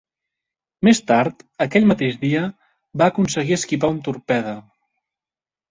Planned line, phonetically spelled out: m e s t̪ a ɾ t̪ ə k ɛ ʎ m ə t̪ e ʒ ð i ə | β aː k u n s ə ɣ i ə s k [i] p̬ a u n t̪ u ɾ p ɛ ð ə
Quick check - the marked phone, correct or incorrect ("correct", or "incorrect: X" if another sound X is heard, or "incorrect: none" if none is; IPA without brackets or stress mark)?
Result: correct